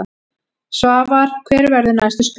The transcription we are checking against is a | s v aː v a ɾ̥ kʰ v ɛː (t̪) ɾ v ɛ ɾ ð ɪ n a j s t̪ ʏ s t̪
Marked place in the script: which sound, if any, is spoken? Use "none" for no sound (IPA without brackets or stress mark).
none